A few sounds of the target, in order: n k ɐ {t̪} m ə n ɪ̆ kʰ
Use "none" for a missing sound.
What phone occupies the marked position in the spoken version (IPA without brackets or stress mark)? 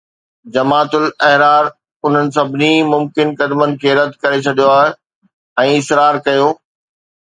d̪